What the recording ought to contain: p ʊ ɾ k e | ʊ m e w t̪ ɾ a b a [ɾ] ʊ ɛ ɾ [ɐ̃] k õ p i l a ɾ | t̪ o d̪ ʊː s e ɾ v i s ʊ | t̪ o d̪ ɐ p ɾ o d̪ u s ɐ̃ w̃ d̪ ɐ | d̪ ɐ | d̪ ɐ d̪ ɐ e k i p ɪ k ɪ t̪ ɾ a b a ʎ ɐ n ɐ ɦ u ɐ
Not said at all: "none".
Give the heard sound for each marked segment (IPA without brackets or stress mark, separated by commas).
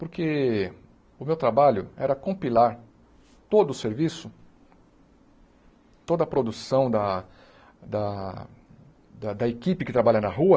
ʎ, ɐ